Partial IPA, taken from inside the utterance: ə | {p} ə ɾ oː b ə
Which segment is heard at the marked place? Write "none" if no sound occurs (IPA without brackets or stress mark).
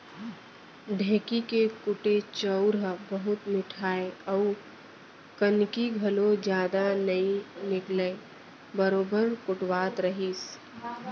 b